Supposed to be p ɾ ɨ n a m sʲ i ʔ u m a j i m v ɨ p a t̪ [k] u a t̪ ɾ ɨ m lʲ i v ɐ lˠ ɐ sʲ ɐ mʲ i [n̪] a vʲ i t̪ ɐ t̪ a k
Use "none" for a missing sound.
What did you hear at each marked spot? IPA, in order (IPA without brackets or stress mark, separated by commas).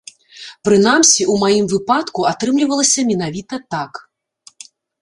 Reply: k, n̪